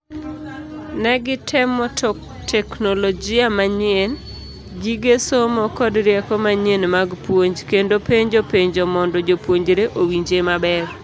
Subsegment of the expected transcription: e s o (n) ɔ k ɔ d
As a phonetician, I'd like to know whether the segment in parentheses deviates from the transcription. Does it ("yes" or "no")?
yes